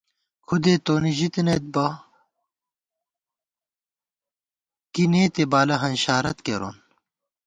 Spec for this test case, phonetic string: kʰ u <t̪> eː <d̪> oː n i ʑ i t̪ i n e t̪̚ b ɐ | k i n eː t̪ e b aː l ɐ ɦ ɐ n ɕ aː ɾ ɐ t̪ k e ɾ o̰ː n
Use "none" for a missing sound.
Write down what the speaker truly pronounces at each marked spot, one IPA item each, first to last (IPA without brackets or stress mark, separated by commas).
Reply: d̪, t̪